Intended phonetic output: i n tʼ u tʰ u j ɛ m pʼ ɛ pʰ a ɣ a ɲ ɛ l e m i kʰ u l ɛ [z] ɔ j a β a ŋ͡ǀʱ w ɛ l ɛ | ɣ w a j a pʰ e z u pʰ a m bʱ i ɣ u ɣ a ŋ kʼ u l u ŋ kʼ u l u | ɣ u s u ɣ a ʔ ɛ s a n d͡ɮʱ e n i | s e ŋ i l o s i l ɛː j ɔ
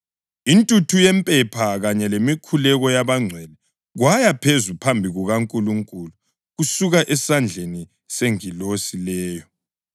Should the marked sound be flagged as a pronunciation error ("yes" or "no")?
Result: yes